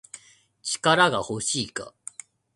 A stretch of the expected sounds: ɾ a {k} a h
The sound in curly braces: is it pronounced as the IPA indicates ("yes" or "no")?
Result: no